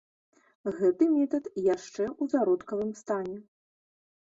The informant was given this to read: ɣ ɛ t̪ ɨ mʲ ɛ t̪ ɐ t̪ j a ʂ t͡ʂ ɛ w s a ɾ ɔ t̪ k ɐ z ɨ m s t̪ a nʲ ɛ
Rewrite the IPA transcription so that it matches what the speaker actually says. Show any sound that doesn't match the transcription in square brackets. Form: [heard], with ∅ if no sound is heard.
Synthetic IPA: ɣ ɛ t̪ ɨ mʲ ɛ t̪ ɐ t̪ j a ʂ t͡ʂ ɛ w [z] a ɾ ɔ t̪ k ɐ [v] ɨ m s t̪ a nʲ ɛ